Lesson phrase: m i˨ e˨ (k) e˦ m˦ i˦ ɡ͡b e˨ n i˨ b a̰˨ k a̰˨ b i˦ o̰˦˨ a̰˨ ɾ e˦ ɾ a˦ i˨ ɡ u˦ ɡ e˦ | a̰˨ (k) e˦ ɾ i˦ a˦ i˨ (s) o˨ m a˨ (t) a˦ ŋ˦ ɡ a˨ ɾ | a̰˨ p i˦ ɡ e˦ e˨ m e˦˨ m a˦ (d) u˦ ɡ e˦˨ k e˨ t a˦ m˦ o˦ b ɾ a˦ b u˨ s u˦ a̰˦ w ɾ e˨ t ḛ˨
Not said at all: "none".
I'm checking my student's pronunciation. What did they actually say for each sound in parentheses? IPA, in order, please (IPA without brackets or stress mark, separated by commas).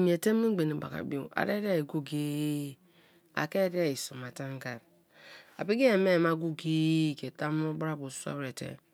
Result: t, k, s, t, ɡ